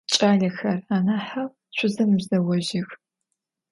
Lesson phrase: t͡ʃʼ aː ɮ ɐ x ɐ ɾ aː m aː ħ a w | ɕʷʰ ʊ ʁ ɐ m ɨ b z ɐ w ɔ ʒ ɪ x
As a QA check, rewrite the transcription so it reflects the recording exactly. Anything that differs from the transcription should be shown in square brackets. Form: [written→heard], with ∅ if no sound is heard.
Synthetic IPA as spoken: t͡ʃʼ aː ɮ ɐ x ɐ [ɾ→r] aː [m→n] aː ħ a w | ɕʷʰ ʊ [ʁ→z] ɐ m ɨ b z ɐ w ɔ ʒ ɪ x